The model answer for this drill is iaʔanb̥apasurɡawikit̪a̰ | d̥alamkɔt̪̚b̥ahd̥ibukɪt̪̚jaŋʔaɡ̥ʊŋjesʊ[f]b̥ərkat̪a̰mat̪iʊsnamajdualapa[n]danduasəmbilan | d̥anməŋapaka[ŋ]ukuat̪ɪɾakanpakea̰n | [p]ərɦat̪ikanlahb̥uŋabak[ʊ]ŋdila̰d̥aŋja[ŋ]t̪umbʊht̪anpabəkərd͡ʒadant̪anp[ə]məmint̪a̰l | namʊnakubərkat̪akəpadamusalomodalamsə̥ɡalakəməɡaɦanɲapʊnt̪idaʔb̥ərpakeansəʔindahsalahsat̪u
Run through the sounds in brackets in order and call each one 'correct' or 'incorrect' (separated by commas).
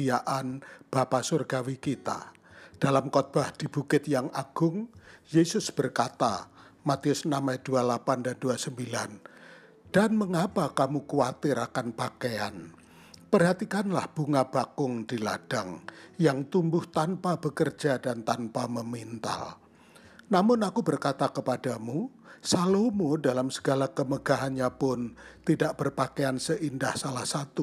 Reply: incorrect, correct, incorrect, correct, correct, correct, incorrect